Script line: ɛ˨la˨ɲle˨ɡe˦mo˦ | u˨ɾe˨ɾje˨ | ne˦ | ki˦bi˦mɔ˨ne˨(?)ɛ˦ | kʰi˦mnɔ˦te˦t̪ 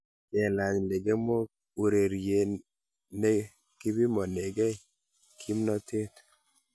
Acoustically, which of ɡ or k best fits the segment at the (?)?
ɡ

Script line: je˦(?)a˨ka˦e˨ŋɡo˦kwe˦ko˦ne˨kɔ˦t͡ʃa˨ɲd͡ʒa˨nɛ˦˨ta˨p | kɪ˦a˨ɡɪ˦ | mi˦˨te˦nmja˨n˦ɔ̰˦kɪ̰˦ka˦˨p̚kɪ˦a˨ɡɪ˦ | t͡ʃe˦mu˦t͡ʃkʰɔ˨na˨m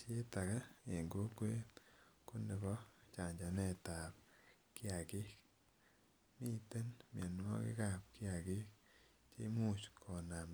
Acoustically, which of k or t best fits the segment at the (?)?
t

